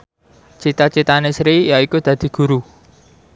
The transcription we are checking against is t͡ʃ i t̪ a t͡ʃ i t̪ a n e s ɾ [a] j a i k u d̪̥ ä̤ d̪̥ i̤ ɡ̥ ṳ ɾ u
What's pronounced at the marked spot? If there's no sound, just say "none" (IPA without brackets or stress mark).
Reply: i